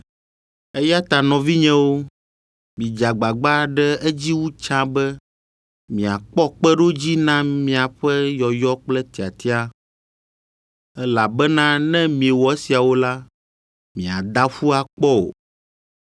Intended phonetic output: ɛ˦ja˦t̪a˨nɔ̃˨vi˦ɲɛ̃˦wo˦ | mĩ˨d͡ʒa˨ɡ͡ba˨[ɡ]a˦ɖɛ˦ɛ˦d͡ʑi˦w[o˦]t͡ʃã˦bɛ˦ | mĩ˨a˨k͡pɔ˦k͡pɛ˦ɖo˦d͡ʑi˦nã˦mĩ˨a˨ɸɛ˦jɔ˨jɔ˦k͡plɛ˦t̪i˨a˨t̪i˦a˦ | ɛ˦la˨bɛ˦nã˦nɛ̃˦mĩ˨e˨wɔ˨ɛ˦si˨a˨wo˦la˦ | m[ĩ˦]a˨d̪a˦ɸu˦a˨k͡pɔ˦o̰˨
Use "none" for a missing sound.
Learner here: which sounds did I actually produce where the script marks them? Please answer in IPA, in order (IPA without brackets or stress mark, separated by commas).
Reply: ɡ͡b, u˦, ĩ˨